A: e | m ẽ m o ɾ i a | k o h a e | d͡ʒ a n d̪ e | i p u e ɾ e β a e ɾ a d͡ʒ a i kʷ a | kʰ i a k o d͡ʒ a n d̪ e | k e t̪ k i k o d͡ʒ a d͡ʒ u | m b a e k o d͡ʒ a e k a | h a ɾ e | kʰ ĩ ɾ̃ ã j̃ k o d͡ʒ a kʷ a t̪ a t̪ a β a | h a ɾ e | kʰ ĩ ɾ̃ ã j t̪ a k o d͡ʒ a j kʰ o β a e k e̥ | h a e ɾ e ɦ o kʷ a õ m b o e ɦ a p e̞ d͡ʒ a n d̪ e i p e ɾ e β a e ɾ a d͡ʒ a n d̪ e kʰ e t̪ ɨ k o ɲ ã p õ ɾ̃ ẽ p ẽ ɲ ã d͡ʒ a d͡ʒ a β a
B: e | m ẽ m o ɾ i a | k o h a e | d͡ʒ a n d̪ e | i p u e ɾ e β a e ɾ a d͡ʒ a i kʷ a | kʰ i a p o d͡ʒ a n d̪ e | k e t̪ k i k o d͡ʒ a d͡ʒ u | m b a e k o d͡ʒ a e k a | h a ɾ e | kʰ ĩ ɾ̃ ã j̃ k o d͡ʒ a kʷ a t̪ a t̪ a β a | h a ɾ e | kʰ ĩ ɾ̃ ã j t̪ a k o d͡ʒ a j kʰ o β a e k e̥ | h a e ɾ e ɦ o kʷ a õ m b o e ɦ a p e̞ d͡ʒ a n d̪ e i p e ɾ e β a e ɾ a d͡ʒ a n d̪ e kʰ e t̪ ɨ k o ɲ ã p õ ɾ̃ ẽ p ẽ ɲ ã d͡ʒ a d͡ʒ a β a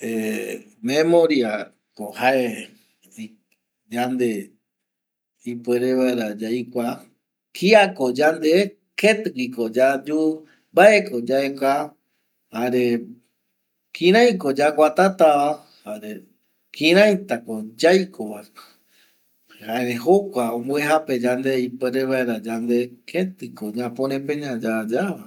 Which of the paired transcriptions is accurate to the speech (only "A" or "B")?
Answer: A